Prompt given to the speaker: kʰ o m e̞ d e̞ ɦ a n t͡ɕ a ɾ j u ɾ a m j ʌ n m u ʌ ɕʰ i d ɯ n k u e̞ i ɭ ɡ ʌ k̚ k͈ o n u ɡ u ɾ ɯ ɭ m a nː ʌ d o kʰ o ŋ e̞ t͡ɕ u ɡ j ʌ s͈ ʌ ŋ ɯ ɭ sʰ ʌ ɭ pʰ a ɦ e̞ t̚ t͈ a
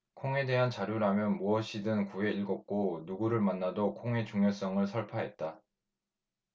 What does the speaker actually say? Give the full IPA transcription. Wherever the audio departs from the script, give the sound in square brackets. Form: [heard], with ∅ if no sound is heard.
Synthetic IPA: kʰ o [ŋ] e̞ d e̞ ɦ a n t͡ɕ a ɾ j u ɾ a m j ʌ n m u ʌ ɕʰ i d ɯ n k u e̞ i ɭ ɡ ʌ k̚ k͈ o n u ɡ u ɾ ɯ ɭ m a nː [a] d o kʰ o ŋ e̞ t͡ɕ u [ŋ] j ʌ s͈ ʌ ŋ ɯ ɭ sʰ ʌ ɭ pʰ a ɦ e̞ t̚ t͈ a